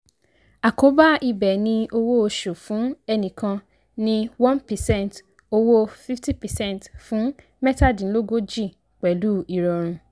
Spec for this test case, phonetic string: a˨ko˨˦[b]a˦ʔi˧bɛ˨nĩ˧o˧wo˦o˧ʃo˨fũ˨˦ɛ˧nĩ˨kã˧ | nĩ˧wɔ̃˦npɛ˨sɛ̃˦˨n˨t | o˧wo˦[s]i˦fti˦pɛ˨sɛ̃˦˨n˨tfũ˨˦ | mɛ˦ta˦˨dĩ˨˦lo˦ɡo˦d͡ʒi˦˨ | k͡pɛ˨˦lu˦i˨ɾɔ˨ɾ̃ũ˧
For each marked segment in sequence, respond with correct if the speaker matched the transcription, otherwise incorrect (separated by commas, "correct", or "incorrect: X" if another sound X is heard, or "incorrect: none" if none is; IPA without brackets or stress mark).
correct, incorrect: f